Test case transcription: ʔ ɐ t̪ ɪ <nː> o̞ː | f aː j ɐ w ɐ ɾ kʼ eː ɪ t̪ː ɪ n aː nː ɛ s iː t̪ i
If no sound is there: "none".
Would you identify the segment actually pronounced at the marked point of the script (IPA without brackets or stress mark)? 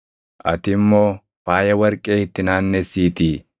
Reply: mː